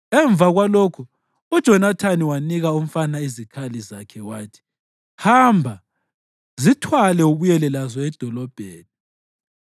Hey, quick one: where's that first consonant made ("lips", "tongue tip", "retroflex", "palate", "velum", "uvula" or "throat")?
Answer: lips